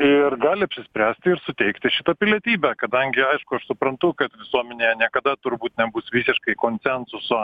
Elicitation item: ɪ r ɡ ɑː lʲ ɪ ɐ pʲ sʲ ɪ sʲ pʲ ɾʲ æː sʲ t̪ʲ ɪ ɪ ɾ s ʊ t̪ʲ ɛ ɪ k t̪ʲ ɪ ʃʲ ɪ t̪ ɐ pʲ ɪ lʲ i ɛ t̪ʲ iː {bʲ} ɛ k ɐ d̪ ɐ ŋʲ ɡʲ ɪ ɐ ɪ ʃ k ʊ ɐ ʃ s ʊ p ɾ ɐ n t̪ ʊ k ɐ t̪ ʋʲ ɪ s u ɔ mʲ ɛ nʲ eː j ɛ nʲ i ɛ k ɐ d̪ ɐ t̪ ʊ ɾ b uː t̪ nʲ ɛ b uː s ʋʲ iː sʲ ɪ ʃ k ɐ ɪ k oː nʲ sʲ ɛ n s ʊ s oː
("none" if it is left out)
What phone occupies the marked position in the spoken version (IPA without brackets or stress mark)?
bʲ